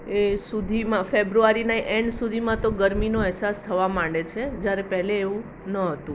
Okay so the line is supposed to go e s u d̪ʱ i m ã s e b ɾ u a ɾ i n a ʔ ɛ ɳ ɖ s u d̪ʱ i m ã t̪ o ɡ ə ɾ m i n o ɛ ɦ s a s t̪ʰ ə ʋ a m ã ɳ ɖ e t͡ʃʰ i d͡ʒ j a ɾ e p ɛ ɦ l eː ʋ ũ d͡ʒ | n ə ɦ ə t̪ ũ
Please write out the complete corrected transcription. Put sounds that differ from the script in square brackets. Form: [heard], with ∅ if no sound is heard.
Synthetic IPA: e s u d̪ʱ i m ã [f] e b ɾ u a ɾ i n a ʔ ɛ ɳ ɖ s u d̪ʱ i m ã t̪ o ɡ ə ɾ m i n o ɛ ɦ s a s t̪ʰ ə ʋ a m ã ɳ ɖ e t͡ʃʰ [e] d͡ʒ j a ɾ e p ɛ ɦ l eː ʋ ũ [∅] | n ə ɦ ə t̪ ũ